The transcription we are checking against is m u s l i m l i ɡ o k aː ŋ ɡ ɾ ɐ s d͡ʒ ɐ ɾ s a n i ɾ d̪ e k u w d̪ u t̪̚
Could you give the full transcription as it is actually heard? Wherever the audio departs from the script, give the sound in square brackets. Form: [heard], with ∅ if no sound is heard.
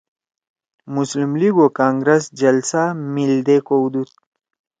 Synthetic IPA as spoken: m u s l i m l i ɡ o k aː ŋ ɡ ɾ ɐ s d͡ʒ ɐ [l] s a [m] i [l] d̪ e k [o] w d̪ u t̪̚